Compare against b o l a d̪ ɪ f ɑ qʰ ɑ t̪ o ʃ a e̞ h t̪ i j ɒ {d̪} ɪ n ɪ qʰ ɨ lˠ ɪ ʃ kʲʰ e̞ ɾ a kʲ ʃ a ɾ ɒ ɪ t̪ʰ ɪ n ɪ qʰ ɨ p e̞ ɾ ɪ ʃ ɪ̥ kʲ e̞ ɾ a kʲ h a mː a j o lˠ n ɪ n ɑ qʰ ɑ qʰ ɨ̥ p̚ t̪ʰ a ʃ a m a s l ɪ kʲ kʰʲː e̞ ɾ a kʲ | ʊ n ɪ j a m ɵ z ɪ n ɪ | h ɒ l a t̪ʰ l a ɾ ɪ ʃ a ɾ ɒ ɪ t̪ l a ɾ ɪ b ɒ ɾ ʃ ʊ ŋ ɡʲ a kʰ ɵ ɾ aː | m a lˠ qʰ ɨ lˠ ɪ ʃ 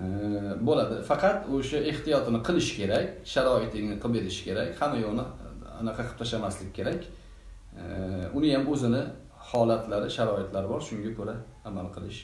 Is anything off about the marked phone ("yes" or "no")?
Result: yes